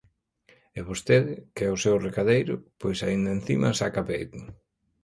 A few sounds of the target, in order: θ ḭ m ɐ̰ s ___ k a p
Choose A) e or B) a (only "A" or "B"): B